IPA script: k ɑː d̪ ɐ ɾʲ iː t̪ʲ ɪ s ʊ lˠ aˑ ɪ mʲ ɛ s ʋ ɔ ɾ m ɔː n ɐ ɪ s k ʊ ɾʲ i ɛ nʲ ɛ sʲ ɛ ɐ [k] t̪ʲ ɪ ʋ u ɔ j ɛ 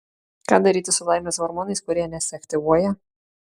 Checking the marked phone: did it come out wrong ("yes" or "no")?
no